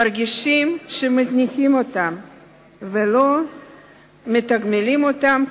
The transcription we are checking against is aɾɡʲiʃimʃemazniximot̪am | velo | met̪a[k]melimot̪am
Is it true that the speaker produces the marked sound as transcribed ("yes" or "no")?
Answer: no